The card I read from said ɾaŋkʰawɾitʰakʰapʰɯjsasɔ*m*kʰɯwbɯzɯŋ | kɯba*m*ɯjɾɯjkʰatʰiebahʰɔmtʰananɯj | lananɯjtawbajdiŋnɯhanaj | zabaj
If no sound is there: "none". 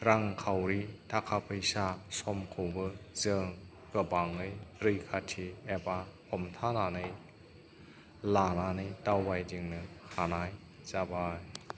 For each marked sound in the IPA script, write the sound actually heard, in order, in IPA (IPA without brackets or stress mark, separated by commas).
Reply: m, ŋ